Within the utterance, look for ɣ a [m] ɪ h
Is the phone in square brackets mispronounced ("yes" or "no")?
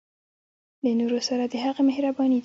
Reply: no